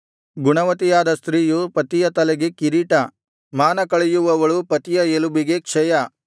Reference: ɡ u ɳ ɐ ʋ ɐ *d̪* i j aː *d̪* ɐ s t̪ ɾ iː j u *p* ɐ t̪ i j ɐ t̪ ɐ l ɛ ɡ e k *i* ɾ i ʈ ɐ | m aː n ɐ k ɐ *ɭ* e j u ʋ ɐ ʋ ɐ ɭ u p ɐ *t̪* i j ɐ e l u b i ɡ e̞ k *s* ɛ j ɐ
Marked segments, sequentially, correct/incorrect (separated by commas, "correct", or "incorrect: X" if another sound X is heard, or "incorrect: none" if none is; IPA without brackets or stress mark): incorrect: t̪, correct, correct, correct, correct, correct, incorrect: ʂ